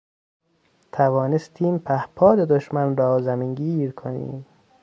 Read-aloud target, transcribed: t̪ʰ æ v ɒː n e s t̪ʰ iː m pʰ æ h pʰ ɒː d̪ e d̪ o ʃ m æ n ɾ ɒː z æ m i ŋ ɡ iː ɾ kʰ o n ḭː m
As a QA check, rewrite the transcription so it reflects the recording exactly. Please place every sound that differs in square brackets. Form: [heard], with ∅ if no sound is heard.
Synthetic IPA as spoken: t̪ʰ æ v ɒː n e s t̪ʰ iː m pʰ æ h pʰ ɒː d̪ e d̪ o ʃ m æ n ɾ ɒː z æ m i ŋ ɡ iː ɾ kʰ o n ḭː m